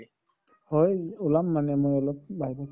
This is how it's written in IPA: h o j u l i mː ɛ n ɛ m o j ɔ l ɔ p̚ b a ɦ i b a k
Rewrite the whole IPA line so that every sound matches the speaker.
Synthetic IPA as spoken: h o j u l a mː a n ɛ m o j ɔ l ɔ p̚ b a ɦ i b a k